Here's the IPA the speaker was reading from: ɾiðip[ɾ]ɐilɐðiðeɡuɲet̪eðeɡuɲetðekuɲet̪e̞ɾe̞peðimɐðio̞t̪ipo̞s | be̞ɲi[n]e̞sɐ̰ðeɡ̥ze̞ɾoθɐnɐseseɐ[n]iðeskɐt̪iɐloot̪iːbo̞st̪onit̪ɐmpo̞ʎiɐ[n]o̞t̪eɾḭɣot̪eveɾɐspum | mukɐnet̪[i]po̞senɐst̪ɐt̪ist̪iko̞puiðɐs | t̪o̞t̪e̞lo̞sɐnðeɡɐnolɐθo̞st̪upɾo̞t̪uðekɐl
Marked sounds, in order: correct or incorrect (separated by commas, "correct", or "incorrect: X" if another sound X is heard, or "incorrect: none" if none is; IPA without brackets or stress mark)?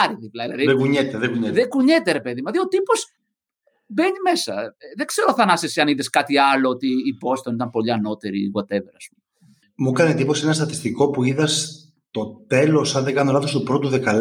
incorrect: l, incorrect: m, correct, correct, correct